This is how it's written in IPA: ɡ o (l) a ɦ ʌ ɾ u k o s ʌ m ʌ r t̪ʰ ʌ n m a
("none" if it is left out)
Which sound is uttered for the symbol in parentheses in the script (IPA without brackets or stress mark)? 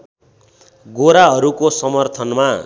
ɾ